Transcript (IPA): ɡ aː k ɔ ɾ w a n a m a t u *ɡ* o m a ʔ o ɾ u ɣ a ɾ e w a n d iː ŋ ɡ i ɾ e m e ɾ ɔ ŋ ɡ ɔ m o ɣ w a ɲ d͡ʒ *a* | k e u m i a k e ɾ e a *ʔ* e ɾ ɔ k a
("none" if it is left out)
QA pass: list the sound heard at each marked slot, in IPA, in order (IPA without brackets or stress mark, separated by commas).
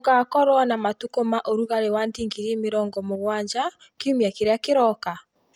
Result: k, a, k